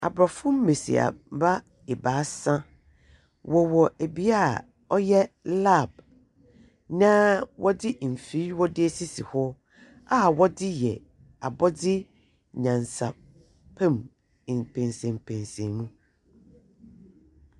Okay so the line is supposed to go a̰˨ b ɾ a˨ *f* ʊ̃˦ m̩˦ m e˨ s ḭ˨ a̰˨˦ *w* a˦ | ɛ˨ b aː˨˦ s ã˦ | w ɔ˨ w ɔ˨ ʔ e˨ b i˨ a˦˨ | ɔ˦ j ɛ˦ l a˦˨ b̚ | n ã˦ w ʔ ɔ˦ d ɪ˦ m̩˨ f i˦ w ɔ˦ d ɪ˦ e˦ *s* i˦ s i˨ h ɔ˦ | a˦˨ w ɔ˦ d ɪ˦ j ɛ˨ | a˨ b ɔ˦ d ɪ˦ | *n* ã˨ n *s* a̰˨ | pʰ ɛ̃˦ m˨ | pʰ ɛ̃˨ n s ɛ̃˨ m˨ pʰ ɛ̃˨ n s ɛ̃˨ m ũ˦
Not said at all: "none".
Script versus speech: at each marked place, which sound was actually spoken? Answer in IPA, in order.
f, b, s, ɲ, s

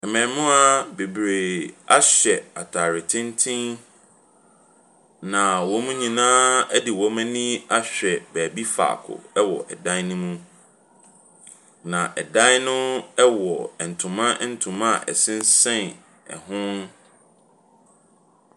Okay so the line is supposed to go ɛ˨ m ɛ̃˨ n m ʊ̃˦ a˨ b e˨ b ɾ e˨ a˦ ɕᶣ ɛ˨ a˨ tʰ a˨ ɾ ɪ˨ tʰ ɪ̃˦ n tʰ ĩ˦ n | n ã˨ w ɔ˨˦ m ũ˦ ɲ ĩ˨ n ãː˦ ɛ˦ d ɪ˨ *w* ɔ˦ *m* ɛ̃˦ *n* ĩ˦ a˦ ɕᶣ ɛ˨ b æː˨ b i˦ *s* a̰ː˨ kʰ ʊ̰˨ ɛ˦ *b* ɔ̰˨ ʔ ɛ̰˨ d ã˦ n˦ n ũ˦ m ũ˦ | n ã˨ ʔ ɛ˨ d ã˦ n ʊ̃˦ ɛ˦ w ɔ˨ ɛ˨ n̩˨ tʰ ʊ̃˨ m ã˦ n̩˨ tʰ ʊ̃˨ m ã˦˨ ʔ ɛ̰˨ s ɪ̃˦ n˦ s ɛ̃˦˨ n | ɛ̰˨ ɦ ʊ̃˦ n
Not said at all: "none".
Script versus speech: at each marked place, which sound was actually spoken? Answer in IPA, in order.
w, m, n, f, w

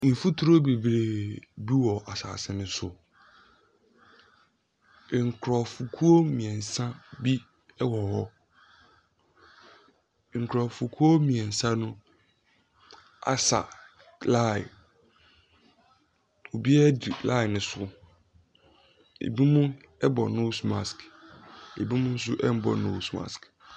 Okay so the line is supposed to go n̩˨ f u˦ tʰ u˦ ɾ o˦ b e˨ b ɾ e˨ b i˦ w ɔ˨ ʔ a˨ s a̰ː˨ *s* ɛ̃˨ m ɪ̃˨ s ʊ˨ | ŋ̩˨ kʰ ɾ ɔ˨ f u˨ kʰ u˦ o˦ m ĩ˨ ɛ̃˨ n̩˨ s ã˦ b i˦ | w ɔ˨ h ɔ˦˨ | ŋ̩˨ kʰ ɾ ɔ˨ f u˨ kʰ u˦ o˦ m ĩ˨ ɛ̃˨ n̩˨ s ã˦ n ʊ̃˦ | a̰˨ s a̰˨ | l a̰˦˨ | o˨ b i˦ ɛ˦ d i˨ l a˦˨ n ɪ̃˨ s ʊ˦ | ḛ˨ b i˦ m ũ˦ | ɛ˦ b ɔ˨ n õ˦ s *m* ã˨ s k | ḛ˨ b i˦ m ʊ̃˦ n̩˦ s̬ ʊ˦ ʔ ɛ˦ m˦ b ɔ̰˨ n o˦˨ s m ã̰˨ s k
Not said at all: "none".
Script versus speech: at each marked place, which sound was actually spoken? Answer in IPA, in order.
s, m

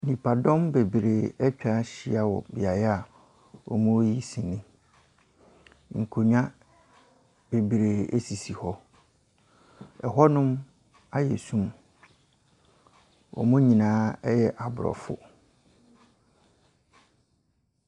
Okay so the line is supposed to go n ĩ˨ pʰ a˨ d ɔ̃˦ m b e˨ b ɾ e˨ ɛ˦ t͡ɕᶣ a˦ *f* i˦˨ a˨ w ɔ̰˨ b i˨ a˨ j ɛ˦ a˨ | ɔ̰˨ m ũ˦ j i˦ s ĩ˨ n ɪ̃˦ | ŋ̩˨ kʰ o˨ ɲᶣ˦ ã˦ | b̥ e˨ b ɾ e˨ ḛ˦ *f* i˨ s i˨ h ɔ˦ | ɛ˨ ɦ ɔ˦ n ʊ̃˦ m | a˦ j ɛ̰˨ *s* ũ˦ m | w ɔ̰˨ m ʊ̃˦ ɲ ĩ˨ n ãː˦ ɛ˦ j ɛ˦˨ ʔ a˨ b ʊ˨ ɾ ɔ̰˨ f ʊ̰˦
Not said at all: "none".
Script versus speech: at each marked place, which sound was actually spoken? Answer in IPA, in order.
ɕ, s, s

